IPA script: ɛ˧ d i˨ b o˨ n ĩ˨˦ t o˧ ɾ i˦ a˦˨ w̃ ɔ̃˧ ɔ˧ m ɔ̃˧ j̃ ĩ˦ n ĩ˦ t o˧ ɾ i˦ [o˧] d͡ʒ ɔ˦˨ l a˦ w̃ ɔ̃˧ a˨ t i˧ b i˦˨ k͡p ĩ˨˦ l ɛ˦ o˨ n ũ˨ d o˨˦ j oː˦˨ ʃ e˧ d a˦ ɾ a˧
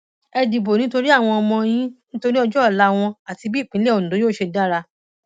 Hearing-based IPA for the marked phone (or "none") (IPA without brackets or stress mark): ɔ˧